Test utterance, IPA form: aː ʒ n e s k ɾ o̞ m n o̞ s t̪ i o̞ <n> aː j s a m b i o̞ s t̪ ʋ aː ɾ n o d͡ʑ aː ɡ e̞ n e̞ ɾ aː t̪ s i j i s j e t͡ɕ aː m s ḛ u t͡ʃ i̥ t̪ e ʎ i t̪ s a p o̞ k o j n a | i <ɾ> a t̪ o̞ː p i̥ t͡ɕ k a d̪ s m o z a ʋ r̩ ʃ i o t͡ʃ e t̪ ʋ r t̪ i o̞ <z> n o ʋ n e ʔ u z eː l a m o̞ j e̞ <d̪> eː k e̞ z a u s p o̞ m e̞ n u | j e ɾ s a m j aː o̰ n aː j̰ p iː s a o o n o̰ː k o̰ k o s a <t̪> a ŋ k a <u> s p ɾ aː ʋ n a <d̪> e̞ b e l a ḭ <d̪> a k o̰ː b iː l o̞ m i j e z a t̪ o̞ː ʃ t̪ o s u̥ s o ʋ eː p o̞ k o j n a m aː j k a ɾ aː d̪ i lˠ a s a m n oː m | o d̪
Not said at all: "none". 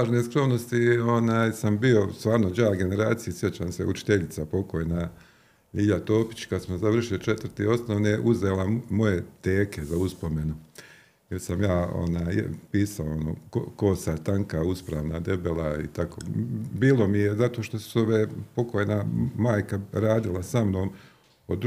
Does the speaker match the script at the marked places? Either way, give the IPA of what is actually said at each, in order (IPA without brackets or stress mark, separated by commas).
n, ʎ, s, t̪, t̪, u, d̪, t̪